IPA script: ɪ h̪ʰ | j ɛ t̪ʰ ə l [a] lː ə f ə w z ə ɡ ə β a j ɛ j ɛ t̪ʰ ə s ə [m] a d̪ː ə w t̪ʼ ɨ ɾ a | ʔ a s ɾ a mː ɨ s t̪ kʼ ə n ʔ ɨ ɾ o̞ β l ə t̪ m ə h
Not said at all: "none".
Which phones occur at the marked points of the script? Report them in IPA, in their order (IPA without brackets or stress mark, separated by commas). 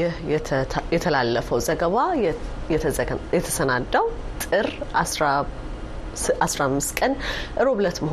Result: a, n